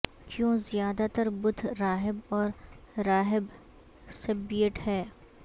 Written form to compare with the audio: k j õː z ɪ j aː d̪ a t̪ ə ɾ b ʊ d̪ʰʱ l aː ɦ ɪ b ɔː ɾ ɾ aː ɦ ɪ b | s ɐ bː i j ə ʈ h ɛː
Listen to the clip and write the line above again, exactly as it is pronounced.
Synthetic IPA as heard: k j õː z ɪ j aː d̪ a t̪ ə ɾ b ʊ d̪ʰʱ ɾ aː ɦ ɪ b ɔː ɾ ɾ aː ɦ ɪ b | s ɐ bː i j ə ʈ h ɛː